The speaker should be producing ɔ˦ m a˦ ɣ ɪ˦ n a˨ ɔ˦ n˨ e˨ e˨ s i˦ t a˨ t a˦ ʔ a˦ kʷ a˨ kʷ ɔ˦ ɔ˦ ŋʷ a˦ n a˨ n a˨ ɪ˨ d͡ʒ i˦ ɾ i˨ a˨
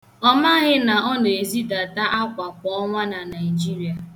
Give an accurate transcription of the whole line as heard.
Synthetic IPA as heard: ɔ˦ m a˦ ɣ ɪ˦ n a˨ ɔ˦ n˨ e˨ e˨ z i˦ d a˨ t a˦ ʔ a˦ kʷ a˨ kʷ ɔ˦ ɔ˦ ŋʷ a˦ n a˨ n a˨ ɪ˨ d͡ʒ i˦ ɾ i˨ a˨